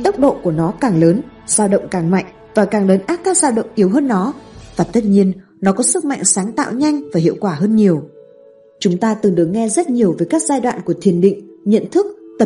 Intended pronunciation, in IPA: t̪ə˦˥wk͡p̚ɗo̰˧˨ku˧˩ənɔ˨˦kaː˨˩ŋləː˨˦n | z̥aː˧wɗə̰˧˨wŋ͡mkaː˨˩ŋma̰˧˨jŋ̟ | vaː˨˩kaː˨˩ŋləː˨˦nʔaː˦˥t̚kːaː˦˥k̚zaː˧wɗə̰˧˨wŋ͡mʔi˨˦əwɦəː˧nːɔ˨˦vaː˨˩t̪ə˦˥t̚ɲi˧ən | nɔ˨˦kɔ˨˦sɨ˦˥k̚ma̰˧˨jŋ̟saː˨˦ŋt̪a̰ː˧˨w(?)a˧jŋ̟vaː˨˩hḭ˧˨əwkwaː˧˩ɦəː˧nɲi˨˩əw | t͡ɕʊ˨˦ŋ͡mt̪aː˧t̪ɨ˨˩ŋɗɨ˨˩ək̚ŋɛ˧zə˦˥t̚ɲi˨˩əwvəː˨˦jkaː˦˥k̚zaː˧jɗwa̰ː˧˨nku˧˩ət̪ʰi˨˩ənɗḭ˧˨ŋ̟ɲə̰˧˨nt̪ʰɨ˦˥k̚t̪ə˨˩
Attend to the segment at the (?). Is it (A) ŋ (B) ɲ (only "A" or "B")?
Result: B